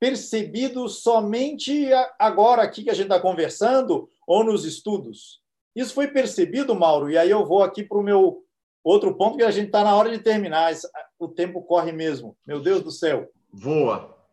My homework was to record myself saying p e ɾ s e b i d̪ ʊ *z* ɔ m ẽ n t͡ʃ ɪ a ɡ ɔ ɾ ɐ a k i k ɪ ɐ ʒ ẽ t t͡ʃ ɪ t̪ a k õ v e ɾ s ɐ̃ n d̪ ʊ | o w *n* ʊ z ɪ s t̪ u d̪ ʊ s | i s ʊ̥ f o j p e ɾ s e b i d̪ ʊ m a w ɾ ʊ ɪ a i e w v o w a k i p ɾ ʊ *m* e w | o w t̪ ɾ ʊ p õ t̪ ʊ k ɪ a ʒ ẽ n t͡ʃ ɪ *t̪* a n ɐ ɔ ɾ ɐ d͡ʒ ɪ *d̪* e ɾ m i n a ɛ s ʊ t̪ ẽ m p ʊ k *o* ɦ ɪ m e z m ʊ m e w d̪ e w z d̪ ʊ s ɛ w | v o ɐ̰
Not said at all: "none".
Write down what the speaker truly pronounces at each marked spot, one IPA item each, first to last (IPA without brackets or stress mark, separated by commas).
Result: s, n, m, t̪, t̪, ɔ